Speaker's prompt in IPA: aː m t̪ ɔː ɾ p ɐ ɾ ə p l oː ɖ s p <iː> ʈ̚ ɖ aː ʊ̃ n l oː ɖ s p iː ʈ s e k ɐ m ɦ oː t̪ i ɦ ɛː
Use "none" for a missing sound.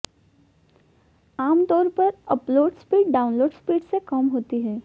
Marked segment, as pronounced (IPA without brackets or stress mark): iː